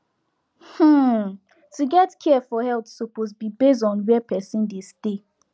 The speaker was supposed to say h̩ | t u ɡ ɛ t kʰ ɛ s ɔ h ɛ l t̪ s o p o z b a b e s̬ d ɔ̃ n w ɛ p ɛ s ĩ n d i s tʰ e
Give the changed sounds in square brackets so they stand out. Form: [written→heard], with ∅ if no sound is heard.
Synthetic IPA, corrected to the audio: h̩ | t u ɡ ɛ t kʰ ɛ [s→f] ɔ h ɛ l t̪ s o p o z b [a→i] b e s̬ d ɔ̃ n w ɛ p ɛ s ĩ n d [i→e] s [tʰ→t] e